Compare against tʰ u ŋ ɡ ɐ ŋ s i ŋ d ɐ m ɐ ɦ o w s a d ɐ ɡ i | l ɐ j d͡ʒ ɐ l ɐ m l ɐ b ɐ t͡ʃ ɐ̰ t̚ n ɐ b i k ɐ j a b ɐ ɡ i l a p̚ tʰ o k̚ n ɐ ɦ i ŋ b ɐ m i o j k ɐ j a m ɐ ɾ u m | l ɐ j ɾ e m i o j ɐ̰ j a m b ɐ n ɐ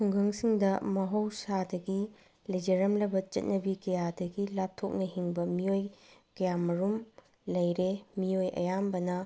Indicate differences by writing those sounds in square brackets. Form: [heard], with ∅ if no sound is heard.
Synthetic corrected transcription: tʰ u ŋ ɡ ɐ ŋ s i ŋ d ɐ m ɐ ɦ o w s a d ɐ ɡ i | l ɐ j d͡ʒ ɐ [ɾ] ɐ m l ɐ b ɐ t͡ʃ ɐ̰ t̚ n ɐ b i k ɐ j a [d] ɐ ɡ i l a p̚ tʰ o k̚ n ɐ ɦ i ŋ b ɐ m i o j k ɐ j a m ɐ ɾ u m | l ɐ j ɾ e m i o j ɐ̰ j a m b ɐ n ɐ